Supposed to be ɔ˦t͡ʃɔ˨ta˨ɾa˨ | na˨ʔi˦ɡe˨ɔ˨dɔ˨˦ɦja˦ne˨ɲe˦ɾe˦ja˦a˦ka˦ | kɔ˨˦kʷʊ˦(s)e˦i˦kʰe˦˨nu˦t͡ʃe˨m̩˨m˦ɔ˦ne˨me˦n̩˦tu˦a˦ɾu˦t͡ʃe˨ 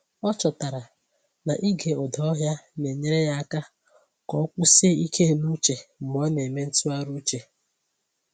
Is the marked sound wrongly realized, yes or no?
no